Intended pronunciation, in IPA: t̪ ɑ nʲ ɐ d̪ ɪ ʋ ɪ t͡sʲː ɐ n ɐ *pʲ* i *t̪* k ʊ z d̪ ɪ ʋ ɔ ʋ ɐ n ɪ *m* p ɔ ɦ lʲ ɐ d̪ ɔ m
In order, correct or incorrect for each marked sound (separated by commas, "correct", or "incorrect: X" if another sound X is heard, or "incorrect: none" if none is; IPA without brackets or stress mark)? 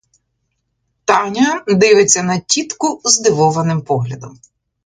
incorrect: tʲ, correct, correct